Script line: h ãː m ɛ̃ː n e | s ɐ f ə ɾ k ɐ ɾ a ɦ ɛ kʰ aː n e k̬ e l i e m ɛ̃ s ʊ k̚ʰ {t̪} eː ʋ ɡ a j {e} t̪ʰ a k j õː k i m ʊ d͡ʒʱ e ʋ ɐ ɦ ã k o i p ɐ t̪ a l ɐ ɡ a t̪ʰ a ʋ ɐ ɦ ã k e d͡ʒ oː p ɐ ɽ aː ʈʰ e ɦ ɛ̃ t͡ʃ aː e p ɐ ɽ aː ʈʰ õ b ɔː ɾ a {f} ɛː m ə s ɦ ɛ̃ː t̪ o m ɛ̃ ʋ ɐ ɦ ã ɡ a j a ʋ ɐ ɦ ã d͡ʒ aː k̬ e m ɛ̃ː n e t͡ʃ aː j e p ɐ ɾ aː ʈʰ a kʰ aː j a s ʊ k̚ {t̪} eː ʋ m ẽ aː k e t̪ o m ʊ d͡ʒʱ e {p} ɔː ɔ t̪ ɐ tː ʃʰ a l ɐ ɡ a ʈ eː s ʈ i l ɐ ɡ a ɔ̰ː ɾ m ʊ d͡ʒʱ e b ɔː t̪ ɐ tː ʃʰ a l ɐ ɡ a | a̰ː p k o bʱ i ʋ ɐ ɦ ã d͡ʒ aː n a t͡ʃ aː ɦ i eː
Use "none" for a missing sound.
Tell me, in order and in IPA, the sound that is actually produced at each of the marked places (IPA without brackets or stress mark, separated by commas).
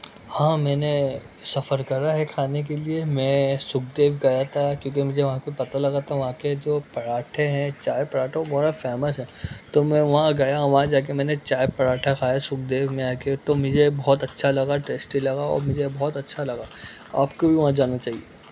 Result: d̪, a, f, d̪, b